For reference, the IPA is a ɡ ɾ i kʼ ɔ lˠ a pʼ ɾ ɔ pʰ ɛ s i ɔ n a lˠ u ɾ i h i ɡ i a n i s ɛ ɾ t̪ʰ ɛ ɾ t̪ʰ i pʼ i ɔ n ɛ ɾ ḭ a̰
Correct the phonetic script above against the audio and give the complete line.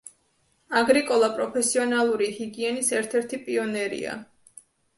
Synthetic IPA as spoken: a ɡ ɾ i kʼ ɔ lˠ a pʼ ɾ ɔ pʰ ɛ s i ɔ n a lˠ u ɾ i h i ɡ i ɛ n i s ɛ ɾ t̪ʰ ɛ ɾ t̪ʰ i pʼ i ɔ n ɛ ɾ ḭ a̰